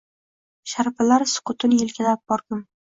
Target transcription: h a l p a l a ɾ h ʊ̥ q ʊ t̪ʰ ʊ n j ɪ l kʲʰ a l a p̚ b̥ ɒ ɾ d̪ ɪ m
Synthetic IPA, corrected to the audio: ʃ a ɾ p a l a ɾ s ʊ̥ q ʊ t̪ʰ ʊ n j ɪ l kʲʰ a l a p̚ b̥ ɒ ɾ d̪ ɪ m